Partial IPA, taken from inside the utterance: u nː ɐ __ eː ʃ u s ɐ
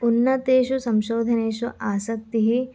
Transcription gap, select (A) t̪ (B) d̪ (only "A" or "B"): A